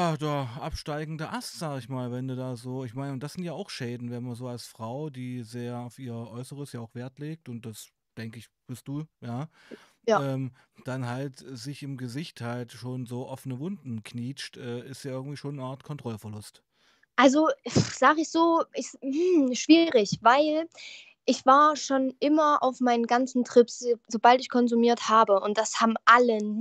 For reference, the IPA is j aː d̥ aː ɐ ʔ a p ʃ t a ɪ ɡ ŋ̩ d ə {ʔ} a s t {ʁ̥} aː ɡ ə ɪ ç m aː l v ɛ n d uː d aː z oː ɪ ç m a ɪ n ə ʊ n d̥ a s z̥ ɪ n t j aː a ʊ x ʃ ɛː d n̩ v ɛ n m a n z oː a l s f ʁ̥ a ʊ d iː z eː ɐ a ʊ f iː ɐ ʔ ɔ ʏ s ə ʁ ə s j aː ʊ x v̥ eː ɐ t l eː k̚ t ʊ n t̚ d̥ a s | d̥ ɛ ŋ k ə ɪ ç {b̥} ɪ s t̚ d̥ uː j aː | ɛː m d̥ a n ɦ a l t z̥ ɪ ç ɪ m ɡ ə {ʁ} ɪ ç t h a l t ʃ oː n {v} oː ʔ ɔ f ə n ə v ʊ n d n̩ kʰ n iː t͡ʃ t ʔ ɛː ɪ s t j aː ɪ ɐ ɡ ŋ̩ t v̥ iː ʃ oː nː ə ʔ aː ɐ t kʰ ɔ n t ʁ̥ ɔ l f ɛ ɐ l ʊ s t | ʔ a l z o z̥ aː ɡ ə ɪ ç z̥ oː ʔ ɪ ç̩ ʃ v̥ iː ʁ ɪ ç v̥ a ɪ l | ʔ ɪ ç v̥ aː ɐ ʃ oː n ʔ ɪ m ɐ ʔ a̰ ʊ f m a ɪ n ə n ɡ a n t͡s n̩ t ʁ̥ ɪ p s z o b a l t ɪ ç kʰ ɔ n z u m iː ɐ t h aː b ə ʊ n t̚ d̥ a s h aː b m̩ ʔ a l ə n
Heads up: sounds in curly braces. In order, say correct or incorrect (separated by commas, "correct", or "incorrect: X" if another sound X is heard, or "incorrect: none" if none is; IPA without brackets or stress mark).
correct, incorrect: z̥, correct, incorrect: z, incorrect: z